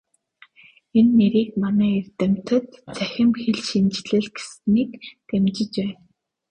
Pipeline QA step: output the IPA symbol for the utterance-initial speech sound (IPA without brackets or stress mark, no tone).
e